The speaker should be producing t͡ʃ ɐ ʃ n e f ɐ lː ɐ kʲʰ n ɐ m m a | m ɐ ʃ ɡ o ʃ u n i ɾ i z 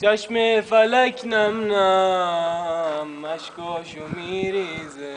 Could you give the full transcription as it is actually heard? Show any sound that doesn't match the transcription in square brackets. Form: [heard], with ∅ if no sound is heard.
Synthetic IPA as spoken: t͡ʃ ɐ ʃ [m] e f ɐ [l] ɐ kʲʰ n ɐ m [n] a | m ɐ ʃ [k] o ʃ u [m] i ɾ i z